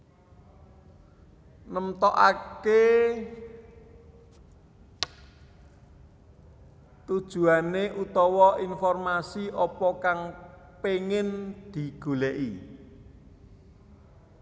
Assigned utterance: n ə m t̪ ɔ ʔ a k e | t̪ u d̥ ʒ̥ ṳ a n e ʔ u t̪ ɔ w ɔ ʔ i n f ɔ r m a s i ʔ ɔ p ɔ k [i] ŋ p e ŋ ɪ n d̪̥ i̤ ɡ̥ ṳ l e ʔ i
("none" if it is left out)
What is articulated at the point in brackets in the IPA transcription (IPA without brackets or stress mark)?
a